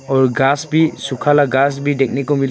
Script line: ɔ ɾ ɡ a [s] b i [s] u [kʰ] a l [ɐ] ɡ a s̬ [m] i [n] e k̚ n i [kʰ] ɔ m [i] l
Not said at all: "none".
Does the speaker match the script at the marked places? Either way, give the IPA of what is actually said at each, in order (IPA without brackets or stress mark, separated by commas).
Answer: s, s, kʰ, a, b, d, k, i